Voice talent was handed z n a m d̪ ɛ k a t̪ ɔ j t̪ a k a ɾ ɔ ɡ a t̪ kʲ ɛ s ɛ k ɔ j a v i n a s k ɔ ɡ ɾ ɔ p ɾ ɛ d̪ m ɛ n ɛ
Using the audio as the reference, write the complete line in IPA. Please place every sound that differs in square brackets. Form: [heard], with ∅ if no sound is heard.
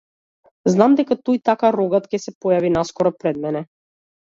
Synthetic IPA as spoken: z n a m d̪ ɛ k a t̪ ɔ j t̪ a k a ɾ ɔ ɡ a t̪ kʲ ɛ s ɛ [p] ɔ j a v i n a s k ɔ [∅] ɾ ɔ p ɾ ɛ d̪ m ɛ n ɛ